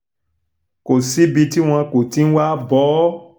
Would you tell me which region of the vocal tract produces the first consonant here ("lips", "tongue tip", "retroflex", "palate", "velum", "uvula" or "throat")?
velum